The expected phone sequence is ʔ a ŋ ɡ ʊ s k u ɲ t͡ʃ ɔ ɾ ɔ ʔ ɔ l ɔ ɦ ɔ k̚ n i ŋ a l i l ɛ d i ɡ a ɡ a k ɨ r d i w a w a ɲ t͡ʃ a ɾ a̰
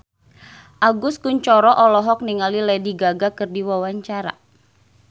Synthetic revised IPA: ʔ a ɡ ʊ s k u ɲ t͡ʃ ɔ ɾ ɔ ʔ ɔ l ɔ ɦ ɔ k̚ n i ŋ a l i l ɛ d i ɡ a ɡ a k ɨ r d i w a w a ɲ t͡ʃ a ɾ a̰

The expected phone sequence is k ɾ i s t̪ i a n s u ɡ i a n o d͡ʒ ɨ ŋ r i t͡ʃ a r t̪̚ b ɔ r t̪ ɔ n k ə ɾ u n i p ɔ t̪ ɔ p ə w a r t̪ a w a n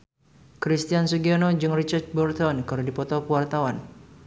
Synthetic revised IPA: k ɾ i s t̪ i a n s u ɡ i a n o d͡ʒ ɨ ŋ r i t͡ʃ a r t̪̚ b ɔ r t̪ ɔ n k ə ɾ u d i p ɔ t̪ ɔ p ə w a r t̪ a w a n

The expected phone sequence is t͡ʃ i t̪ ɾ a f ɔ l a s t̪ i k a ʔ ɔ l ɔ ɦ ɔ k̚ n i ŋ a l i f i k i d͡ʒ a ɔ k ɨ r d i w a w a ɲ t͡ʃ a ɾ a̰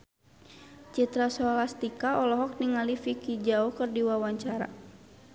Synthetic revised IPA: t͡ʃ i t̪ ɾ a s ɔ l a s t̪ i k a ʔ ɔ l ɔ ɦ ɔ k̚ n i ŋ a l i f i k i d͡ʒ a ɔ k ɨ r d i w a w a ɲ t͡ʃ a ɾ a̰

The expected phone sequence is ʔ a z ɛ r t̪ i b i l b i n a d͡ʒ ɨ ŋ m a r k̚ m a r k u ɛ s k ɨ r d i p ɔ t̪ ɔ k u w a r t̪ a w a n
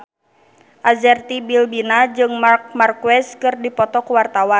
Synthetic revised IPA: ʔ a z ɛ r t̪ i b i l b i n a d͡ʒ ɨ ŋ m a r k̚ m a r k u ɛ s k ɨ r d i p ɔ t̪ ɔ k u w a r t̪ a w a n

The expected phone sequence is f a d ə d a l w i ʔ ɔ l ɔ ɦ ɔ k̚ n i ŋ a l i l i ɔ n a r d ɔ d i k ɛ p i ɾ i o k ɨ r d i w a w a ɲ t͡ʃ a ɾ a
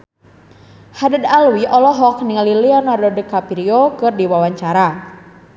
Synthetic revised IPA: h a d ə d a l w i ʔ ɔ l ɔ ɦ ɔ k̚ n i ŋ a l i l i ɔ n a r d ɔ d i k a p i ɾ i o k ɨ r d i w a w a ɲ t͡ʃ a ɾ a

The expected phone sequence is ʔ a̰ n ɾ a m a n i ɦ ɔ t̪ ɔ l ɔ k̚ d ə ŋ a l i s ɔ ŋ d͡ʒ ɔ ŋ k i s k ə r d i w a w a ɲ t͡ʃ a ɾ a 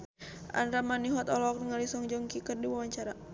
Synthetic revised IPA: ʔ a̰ n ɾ a m a n i ɦ ɔ t̪ ɔ l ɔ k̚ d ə ŋ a l i s ɔ ŋ d͡ʒ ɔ ŋ k i k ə r d i w a w a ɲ t͡ʃ a ɾ a

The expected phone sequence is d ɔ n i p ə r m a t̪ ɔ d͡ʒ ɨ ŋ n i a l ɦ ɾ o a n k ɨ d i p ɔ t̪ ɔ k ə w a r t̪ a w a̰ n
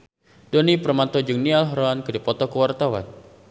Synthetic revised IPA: d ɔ n i p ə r m a t̪ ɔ d͡ʒ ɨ ŋ n i a l ɦ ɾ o a n k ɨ d i p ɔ t̪ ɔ k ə w a r t̪ a w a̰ n

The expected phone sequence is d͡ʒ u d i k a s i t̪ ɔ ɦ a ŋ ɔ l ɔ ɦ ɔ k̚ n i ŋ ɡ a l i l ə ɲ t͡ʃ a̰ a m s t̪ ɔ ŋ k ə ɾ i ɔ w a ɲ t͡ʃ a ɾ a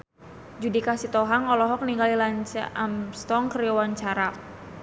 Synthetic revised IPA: d͡ʒ u d i k a s i t̪ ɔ ɦ a ŋ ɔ l ɔ ɦ ɔ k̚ n i ŋ ɡ a l i l a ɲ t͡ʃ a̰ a m s t̪ ɔ ŋ k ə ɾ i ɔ w a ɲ t͡ʃ a ɾ a

